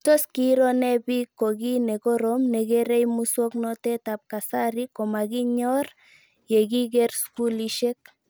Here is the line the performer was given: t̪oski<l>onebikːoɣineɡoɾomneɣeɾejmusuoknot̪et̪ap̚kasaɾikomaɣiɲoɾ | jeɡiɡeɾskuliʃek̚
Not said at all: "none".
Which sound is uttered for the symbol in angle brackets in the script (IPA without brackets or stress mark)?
ɾ